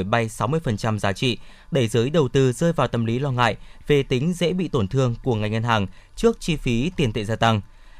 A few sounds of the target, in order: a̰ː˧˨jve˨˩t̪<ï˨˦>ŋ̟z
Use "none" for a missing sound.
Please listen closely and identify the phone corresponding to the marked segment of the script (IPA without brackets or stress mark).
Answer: ï˨˦